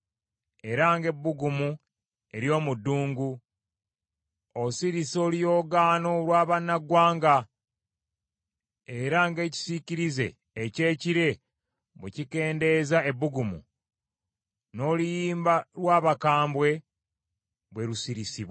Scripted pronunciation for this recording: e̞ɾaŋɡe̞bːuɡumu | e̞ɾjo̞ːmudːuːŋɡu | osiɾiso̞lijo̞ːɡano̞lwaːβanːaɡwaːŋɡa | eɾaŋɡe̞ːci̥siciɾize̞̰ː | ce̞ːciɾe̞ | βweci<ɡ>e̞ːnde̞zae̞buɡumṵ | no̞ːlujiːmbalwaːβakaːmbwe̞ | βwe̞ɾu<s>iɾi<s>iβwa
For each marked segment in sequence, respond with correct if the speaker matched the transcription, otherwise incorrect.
incorrect, correct, correct

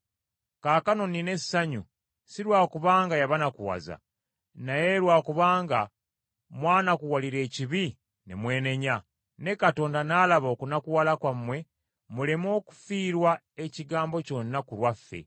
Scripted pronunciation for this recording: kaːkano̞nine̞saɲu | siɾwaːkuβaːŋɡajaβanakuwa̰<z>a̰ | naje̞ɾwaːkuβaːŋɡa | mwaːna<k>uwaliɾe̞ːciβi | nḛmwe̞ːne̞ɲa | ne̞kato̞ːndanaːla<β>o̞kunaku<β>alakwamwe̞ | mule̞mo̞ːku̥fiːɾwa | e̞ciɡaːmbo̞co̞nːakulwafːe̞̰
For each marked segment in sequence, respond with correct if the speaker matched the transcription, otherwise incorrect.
correct, correct, correct, incorrect

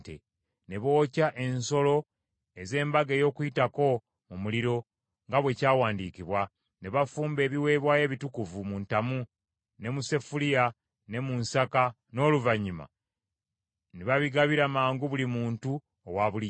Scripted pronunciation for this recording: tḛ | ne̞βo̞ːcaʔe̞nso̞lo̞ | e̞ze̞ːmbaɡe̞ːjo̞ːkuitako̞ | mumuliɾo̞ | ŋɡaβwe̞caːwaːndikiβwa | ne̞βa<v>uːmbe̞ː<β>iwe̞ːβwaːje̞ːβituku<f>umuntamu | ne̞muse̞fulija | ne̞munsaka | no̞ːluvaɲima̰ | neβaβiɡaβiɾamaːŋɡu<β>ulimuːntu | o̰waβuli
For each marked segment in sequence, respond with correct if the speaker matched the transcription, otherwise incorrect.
incorrect, correct, incorrect, correct

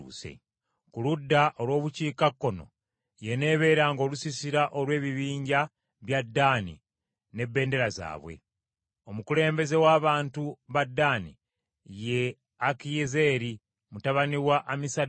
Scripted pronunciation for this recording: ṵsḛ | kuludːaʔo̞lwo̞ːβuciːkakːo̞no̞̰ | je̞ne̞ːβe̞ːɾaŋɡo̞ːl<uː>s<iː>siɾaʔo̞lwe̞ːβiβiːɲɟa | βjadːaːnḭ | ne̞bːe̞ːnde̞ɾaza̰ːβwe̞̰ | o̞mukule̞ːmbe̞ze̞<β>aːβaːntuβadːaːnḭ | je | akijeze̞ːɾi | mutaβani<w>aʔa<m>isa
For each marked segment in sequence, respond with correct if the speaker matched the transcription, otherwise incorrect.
incorrect, incorrect, incorrect, correct, correct

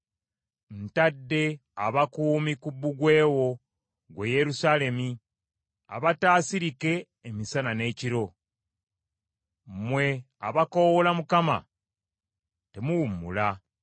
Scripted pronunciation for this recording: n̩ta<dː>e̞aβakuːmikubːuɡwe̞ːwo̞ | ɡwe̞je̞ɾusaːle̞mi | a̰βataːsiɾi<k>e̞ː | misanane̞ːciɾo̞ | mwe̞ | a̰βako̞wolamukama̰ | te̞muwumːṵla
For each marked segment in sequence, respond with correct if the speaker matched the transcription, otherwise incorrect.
correct, correct

